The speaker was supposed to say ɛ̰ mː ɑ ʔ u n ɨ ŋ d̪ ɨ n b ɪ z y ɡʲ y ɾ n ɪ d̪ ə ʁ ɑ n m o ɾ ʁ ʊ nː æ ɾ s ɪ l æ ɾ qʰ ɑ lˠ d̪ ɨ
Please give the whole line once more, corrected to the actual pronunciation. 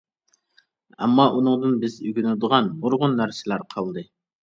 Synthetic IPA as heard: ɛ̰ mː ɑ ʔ u n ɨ ŋ d̪ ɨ n b ɪ z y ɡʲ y n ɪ d̪ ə ʁ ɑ n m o ɾ ʁ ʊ nː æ ɾ s ɪ l æ ɾ qʰ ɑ lˠ d̪ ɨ